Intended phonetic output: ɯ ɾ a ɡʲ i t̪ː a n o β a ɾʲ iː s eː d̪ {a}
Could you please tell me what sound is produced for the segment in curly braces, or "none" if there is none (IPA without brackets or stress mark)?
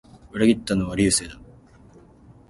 a